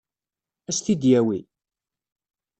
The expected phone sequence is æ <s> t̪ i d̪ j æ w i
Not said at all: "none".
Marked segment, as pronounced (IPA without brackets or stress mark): s